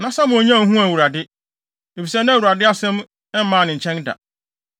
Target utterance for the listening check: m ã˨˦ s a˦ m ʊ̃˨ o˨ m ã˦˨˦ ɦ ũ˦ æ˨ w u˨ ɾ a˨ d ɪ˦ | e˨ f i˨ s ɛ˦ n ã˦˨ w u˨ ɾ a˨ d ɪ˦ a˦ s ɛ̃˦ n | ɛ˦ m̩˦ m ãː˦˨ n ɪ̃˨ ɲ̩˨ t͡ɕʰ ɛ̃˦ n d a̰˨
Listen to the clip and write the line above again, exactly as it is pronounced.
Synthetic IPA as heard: n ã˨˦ s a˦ m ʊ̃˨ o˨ ɲ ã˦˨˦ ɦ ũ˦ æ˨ w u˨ ɾ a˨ d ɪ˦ | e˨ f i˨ s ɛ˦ n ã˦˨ w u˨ ɾ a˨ d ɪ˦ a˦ s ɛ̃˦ m | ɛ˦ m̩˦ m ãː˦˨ n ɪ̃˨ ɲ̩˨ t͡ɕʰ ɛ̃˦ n d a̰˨